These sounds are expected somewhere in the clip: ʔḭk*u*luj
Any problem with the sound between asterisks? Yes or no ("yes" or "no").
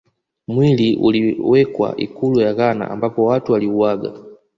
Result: no